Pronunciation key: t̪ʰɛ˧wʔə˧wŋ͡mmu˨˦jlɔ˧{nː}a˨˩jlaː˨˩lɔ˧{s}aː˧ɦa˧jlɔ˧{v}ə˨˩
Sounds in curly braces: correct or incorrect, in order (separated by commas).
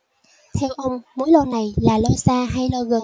incorrect, correct, incorrect